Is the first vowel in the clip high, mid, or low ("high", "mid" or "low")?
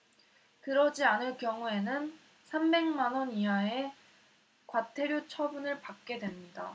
high